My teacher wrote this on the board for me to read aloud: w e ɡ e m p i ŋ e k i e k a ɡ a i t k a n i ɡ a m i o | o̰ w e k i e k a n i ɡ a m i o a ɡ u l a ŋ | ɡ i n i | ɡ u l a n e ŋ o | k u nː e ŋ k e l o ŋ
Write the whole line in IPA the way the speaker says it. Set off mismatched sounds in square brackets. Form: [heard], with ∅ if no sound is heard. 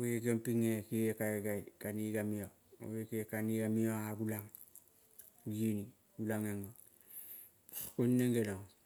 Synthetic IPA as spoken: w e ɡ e m p i ŋ e k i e k a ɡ a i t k a n i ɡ a m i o | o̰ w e k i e k a n i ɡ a m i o a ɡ u l a ŋ | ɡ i n i | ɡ u l a [ŋ] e ŋ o | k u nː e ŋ [ɡ] e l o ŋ